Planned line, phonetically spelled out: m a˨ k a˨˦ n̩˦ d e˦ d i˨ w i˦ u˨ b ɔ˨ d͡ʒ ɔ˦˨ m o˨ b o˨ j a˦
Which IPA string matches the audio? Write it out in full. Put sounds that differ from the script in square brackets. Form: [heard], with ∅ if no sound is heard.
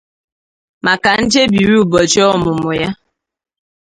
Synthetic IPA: m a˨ k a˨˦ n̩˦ [d͡ʒ] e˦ [b] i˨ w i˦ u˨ b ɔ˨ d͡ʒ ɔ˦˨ m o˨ [m] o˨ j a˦